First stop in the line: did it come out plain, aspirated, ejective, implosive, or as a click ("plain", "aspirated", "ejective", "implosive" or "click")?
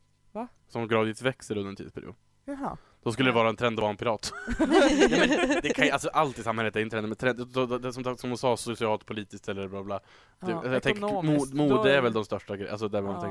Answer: plain